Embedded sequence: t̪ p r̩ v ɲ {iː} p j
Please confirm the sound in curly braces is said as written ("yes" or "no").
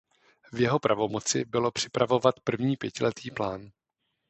yes